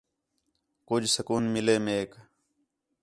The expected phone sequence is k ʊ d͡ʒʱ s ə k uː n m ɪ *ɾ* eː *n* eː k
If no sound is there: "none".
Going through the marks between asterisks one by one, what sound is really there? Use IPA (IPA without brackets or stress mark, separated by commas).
l, m